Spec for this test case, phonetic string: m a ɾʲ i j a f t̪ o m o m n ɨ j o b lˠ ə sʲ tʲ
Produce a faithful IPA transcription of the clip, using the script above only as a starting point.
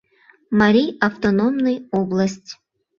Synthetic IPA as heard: m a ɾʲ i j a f t̪ o n o m n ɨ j o b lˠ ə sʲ tʲ